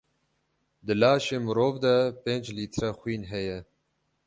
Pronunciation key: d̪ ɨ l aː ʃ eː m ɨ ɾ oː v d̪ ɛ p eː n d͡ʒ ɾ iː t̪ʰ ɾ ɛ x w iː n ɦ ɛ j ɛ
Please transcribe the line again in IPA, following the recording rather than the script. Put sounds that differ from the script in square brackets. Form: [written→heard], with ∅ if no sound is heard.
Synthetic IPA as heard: d̪ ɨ l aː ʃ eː m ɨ ɾ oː v d̪ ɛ p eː n d͡ʒ [ɾ→l] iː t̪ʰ ɾ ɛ x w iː n ɦ ɛ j ɛ